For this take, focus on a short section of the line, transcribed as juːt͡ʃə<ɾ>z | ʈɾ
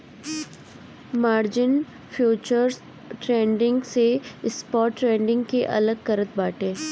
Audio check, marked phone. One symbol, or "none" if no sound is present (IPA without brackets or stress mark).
ɾ